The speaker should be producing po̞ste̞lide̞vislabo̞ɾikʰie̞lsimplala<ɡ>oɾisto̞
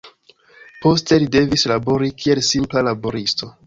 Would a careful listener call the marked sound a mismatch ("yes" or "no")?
yes